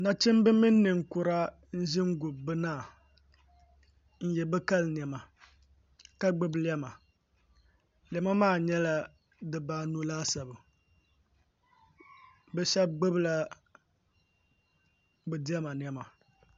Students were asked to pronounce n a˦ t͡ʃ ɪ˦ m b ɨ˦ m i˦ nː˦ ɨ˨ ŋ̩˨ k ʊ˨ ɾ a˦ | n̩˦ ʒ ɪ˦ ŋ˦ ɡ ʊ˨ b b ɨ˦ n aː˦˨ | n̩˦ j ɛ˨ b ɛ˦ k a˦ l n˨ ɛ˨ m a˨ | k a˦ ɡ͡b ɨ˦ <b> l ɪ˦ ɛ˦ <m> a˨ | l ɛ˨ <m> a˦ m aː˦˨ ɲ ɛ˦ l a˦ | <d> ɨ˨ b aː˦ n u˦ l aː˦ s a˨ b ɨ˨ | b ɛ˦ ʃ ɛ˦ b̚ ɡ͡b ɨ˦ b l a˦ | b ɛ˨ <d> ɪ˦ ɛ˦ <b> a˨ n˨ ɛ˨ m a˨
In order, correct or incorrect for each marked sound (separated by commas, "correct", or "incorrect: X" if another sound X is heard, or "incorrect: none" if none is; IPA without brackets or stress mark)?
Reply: correct, correct, correct, correct, correct, incorrect: m